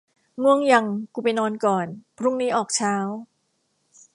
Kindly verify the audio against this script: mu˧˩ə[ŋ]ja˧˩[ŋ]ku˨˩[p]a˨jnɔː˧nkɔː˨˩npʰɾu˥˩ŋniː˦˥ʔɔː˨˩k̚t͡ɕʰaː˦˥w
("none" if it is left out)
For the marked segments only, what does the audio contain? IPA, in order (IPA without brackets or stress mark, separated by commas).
ŋ, ŋ, p